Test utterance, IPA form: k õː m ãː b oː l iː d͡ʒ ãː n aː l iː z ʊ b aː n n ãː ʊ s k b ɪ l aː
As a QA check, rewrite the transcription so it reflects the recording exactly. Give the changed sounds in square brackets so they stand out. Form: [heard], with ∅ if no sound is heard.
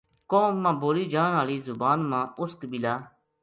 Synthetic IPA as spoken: k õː m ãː b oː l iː d͡ʒ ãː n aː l iː z ʊ b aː n [m] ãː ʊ s k b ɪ l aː